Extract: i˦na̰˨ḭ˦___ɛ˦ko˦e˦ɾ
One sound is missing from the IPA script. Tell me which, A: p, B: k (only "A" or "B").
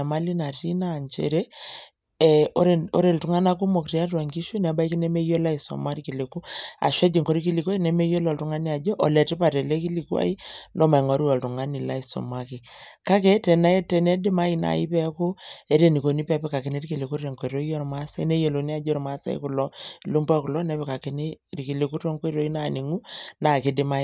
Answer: A